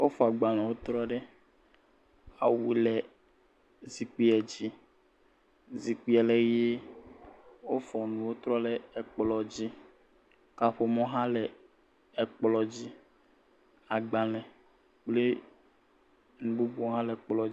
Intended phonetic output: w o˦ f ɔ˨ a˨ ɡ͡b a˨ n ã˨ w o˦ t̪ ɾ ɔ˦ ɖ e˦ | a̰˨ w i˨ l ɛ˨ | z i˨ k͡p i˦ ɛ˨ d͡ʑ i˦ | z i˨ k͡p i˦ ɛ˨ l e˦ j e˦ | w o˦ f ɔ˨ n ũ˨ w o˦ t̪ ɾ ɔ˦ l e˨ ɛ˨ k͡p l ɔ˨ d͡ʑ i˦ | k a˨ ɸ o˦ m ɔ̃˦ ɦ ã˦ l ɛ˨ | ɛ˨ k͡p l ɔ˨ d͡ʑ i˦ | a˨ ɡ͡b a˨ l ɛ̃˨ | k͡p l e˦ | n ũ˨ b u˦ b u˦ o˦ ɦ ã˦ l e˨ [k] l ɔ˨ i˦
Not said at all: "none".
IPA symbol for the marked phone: k͡p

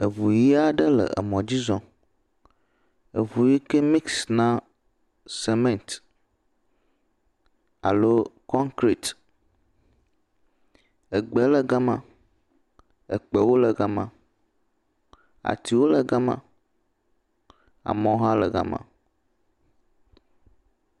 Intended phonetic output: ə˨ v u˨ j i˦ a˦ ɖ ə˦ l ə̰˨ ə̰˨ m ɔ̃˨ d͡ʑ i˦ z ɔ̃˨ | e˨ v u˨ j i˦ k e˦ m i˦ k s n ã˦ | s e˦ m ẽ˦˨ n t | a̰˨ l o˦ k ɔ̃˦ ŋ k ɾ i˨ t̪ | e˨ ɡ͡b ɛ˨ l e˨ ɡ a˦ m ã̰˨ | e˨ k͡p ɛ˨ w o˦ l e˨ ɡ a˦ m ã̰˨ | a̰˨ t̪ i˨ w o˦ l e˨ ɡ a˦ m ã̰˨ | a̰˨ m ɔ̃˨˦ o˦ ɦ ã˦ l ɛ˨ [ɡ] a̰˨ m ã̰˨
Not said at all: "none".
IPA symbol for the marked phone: ɡ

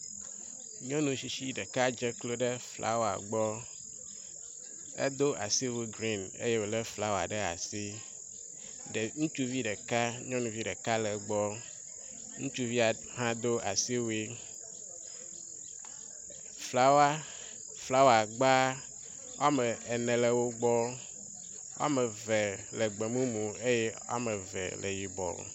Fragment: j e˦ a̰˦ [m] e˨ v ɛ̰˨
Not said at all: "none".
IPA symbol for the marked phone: m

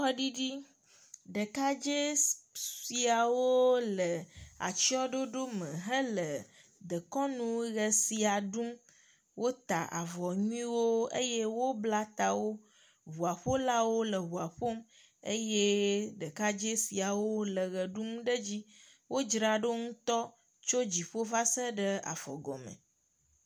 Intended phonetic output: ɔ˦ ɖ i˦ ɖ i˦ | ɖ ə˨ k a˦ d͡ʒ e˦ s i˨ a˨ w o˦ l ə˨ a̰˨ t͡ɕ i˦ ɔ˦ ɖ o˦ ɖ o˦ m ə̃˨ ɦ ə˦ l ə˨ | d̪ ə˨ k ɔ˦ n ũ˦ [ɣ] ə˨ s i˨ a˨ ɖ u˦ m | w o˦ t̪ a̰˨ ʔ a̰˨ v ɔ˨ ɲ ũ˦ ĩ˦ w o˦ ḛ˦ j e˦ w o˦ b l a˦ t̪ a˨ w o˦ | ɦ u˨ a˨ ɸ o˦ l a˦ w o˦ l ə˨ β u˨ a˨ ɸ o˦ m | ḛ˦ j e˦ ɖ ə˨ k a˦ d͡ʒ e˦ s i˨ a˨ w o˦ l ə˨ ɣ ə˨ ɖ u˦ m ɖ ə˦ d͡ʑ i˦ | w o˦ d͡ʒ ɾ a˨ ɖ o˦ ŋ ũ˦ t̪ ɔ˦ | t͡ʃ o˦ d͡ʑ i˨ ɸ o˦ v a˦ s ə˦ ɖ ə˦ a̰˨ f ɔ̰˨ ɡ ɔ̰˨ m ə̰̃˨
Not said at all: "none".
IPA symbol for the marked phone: ɣ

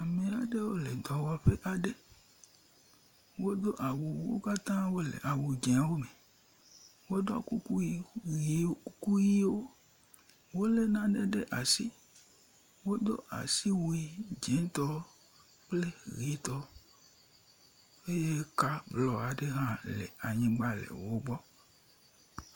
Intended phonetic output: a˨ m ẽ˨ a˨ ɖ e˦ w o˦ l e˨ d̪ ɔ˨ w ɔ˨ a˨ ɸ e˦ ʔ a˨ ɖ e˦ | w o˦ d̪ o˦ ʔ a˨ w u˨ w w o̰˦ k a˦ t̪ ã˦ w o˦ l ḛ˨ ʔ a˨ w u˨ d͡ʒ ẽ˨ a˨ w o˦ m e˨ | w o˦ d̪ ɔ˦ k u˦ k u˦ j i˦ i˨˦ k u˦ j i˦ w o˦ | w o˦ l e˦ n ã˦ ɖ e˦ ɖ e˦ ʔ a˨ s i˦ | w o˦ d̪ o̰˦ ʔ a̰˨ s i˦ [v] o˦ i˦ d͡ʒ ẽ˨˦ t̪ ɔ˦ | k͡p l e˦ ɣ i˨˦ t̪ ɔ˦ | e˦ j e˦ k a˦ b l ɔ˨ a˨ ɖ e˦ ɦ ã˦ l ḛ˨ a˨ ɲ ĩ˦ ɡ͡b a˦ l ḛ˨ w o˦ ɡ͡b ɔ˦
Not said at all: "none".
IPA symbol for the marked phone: w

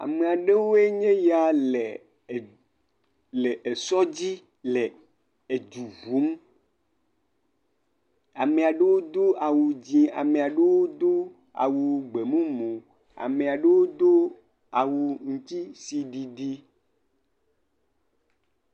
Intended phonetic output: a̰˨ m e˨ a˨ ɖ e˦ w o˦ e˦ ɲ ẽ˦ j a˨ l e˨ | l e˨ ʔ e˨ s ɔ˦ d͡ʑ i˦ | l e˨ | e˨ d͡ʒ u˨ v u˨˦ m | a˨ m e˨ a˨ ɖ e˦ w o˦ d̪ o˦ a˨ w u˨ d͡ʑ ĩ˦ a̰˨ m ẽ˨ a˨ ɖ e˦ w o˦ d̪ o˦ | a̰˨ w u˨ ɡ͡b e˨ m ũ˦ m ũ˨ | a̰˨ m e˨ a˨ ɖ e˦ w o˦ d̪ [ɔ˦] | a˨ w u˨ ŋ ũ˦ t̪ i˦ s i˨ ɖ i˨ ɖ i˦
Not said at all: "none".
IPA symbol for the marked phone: o˦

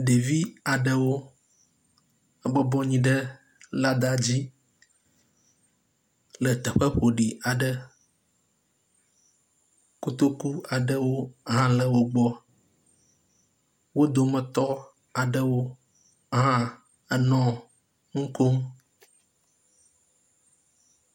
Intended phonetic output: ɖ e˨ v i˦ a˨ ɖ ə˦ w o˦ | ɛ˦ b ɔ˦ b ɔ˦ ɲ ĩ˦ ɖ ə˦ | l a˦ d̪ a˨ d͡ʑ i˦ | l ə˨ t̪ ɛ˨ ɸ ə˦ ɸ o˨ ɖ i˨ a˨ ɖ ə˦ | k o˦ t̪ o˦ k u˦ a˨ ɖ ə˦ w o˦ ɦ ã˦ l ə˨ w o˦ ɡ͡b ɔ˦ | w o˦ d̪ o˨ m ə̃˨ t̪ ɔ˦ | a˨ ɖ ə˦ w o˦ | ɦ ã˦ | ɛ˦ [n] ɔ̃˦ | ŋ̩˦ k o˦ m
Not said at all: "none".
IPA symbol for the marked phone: n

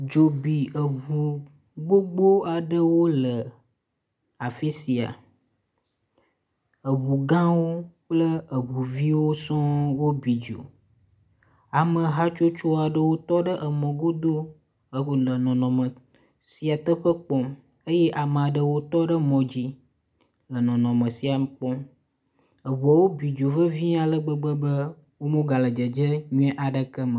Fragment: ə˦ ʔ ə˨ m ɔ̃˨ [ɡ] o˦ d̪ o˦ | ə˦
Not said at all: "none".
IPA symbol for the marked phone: ɡ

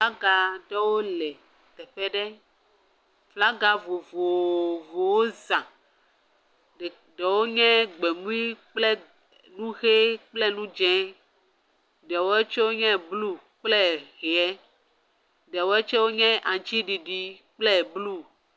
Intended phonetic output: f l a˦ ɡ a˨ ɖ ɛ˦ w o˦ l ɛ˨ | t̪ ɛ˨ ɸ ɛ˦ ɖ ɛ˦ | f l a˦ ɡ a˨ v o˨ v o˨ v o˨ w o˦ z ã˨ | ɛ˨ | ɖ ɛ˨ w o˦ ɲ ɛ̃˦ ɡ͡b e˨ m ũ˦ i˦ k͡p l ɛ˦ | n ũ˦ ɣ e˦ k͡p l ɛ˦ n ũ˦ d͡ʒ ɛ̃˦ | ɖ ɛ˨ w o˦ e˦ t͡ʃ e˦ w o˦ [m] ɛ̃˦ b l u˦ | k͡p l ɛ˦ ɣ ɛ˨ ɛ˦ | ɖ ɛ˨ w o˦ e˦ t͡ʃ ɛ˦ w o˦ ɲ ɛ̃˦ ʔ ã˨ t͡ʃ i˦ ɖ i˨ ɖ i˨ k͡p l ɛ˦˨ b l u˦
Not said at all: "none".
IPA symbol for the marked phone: ɲ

